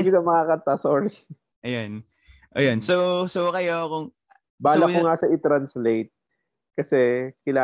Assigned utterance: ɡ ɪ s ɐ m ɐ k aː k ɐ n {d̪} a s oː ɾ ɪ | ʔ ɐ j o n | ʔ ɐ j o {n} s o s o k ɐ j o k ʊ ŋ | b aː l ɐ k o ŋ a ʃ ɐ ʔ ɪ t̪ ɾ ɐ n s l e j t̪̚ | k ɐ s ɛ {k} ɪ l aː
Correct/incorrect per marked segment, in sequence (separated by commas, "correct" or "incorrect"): incorrect, correct, correct